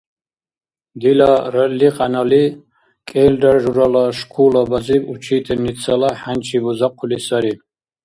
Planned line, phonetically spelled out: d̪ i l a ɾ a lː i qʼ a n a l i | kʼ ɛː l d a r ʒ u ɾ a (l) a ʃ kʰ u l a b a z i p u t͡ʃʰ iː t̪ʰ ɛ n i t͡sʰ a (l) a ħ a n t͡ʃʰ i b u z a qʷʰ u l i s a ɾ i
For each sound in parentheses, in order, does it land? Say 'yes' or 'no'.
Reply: yes, yes

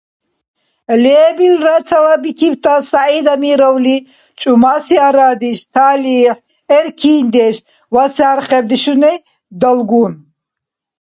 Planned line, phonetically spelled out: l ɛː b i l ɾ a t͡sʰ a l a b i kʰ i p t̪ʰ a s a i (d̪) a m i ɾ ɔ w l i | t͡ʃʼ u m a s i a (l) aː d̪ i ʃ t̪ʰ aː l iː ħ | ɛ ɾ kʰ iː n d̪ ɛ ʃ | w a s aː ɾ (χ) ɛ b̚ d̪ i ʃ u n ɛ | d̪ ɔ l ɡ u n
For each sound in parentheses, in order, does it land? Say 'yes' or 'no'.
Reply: yes, no, yes

